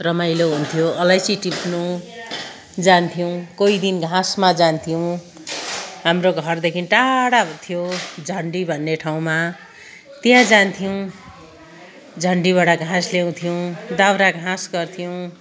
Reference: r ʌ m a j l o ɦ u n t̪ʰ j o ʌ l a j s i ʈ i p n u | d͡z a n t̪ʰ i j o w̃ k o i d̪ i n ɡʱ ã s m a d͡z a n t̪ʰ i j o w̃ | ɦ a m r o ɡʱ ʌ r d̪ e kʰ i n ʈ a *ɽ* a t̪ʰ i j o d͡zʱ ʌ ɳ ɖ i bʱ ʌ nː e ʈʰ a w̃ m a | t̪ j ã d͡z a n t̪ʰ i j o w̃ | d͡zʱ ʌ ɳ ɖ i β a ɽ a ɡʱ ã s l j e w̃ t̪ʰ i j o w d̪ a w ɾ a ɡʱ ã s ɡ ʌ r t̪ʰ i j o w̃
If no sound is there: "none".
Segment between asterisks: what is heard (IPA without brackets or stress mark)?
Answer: ɽ